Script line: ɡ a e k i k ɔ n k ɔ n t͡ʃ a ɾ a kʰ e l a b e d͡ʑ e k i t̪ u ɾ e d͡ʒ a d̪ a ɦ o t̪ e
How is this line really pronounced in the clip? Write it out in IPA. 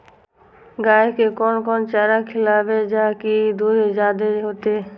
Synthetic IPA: ɡ a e k e k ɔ n k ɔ n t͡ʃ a ɾ a kʰ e l a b e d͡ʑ a k i d̪ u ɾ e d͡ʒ a d̪ e ɦ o t̪ e